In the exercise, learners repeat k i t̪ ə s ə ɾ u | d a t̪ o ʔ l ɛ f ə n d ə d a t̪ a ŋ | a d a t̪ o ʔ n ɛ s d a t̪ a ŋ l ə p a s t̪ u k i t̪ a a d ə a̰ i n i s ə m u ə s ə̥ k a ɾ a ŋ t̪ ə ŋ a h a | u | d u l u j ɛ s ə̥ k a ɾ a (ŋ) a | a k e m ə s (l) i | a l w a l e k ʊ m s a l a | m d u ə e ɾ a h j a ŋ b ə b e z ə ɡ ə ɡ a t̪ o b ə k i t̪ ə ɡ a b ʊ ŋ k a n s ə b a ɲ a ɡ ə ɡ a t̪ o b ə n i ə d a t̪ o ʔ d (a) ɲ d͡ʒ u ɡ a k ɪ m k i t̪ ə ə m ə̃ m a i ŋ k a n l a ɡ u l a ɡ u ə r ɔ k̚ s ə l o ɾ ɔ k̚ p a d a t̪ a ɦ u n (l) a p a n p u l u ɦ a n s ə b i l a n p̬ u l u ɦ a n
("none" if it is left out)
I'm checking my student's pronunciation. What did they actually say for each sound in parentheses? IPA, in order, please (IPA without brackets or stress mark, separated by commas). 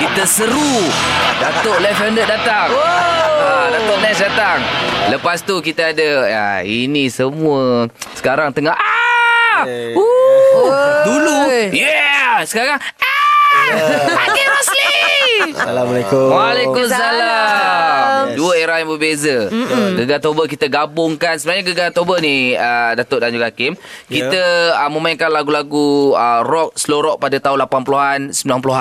ŋ, l, a, l